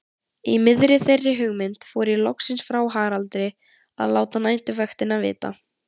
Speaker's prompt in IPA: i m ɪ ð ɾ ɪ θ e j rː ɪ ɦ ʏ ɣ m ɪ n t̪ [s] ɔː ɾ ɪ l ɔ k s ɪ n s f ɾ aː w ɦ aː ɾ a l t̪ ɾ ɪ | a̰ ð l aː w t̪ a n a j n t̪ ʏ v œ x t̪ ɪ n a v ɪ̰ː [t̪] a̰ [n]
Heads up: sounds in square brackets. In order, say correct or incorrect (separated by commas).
incorrect, correct, incorrect